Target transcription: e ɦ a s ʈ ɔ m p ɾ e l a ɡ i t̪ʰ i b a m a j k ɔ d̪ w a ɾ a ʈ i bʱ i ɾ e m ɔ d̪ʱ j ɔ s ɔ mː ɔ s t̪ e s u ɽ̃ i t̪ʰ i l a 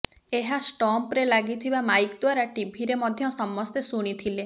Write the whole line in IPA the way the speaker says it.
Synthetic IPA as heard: e ɦ a s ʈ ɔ m p ɾ e l a ɡ i t̪ʰ i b a m a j k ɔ d̪ w a ɾ a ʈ i bʱ i ɾ e m ɔ d̪ʱ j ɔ s ɔ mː ɔ s t̪ e s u ɽ̃ i t̪ʰ i l e